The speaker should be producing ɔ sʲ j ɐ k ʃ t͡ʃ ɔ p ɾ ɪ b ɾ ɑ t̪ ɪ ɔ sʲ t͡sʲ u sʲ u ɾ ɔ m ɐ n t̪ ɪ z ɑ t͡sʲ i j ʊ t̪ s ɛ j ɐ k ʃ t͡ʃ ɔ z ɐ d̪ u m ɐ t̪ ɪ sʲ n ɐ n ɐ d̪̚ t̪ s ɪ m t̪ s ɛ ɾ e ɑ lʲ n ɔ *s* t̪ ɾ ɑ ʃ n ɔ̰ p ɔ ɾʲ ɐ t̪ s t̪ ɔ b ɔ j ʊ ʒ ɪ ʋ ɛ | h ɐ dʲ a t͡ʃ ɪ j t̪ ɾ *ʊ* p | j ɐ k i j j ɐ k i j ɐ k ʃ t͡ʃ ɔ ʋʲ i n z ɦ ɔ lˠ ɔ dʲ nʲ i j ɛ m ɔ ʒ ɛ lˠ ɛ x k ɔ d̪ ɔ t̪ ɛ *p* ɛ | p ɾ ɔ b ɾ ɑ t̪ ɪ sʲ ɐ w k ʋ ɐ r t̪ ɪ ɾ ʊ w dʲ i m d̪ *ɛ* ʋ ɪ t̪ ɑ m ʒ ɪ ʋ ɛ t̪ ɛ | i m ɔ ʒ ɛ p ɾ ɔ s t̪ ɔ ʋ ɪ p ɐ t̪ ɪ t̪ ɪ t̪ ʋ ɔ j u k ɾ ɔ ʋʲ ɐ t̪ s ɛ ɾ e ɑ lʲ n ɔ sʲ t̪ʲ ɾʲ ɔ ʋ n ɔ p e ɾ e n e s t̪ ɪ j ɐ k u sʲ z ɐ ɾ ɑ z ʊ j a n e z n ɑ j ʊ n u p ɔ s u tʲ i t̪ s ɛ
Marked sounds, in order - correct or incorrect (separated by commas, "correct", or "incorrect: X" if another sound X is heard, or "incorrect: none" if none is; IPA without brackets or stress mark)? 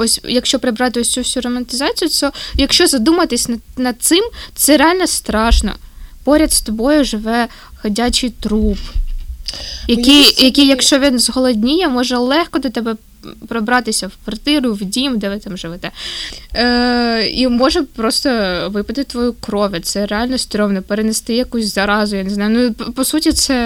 correct, incorrect: u, incorrect: b, correct